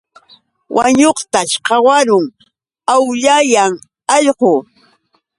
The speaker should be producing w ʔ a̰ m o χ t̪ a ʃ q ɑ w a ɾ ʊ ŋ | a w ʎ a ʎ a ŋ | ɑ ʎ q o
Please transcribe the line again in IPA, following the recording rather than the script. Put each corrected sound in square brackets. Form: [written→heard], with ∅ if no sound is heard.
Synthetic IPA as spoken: w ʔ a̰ [m→ɲ] o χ t̪ a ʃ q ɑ w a ɾ ʊ ŋ | a w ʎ a [ʎ→j] a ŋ | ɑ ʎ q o